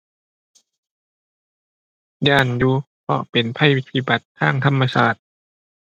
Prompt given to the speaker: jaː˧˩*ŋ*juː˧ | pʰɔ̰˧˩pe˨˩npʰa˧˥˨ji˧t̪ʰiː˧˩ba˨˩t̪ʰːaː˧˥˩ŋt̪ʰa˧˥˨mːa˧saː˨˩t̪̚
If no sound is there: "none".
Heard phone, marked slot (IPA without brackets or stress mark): n